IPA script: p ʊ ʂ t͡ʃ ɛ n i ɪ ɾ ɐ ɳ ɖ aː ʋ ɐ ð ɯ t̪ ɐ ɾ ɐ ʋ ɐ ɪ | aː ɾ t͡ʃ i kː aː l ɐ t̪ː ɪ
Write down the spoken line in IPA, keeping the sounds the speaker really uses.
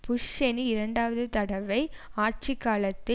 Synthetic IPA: p ʊ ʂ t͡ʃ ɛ n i ɪ ɾ ɐ ɳ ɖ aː ʋ ɐ ð ɯ t̪ ɐ ɽ ɐ ʋ ɐ ɪ | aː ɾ t͡ʃ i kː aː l ɐ t̪ː ɪ